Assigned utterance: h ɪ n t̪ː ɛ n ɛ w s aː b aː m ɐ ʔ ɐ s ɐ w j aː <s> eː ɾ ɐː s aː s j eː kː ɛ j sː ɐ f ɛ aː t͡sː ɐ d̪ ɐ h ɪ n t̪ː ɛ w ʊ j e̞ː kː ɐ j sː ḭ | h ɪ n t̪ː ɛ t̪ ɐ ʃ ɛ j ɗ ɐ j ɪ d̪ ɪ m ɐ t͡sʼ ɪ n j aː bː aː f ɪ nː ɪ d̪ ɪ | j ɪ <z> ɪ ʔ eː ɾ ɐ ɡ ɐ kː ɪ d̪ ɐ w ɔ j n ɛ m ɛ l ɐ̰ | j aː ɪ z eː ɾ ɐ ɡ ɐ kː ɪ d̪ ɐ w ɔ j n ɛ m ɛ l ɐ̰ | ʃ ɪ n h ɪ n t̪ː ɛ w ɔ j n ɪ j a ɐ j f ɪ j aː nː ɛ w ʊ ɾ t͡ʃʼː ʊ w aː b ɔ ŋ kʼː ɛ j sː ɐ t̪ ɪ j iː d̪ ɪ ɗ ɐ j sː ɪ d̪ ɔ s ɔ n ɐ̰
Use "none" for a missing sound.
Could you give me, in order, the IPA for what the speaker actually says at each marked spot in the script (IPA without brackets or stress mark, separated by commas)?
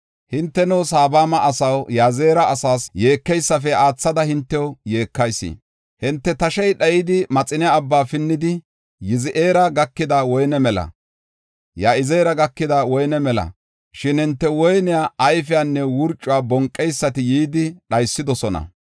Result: z, z